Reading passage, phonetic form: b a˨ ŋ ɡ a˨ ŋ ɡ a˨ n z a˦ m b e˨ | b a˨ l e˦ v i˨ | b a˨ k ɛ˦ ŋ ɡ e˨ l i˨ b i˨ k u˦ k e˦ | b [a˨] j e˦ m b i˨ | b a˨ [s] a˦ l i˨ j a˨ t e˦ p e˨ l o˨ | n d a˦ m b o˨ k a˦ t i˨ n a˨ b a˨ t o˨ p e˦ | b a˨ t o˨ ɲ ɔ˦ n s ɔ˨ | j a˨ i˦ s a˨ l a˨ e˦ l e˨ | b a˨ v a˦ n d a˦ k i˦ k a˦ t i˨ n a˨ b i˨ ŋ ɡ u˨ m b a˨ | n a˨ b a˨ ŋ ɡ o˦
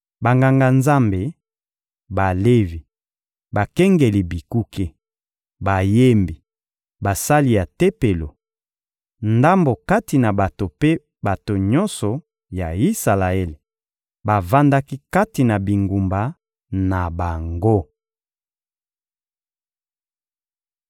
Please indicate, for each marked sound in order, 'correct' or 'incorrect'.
correct, correct

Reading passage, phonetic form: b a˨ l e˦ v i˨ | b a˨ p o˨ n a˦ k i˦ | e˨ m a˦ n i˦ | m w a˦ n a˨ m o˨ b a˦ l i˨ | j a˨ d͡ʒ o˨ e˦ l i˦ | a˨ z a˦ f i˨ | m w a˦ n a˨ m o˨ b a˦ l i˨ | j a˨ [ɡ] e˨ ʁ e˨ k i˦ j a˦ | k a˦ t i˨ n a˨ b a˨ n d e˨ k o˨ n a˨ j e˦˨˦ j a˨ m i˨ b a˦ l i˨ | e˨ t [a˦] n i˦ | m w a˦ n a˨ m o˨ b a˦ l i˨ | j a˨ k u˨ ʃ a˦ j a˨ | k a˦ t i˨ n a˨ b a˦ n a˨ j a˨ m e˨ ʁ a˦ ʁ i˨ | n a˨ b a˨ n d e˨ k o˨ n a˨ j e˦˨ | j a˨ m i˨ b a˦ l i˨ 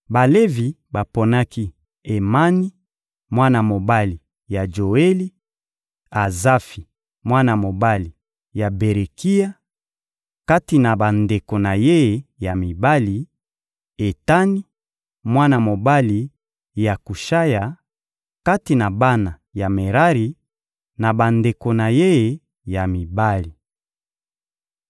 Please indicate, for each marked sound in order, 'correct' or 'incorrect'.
incorrect: b, correct

